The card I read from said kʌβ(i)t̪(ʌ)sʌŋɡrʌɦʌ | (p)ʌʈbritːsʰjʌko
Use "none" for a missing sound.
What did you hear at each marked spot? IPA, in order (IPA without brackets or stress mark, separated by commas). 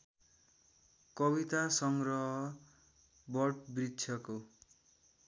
i, a, b